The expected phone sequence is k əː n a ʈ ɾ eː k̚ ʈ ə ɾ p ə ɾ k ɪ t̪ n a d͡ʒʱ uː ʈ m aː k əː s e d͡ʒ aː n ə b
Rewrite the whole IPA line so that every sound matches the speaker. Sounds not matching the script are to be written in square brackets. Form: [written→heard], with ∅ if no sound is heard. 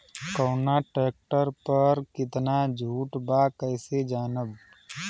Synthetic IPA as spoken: k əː n a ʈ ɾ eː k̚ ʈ ə ɾ p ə ɾ k ɪ t̪ n a d͡ʒʱ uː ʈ [m→b] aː k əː s e d͡ʒ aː n ə b